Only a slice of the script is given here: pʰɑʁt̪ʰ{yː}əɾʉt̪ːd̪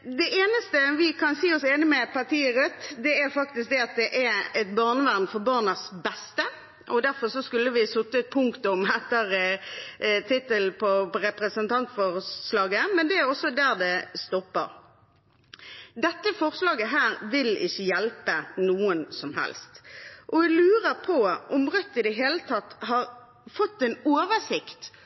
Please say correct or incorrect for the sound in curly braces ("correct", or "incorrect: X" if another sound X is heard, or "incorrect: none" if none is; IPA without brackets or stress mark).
incorrect: iː